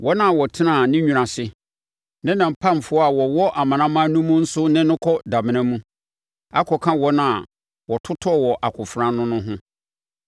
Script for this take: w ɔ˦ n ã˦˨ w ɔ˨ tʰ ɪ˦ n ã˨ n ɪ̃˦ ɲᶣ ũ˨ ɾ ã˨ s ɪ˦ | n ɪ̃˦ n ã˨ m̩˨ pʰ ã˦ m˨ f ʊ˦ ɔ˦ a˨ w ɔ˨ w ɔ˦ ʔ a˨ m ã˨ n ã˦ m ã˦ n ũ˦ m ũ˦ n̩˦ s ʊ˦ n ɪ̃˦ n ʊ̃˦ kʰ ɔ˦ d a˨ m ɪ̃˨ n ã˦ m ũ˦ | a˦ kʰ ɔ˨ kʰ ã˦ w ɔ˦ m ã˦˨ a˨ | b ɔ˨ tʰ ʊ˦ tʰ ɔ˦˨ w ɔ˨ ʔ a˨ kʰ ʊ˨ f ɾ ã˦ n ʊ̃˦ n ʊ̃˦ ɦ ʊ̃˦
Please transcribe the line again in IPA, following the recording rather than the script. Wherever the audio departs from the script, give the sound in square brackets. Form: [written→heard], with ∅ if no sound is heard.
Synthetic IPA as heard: w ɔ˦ n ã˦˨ w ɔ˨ tʰ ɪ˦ n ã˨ n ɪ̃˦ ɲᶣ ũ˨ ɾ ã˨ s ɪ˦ | n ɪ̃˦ n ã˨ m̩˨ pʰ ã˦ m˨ f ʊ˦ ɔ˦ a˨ w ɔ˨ w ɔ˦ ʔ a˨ m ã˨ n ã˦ m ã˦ n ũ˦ m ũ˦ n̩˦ s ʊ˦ n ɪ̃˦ n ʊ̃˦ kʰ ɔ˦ d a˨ m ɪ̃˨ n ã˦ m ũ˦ | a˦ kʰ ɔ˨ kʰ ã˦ w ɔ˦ [m→n] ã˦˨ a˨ | [b→w] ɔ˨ tʰ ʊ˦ tʰ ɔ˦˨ w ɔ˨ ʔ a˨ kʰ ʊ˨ f ɾ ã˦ n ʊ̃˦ n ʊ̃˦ ɦ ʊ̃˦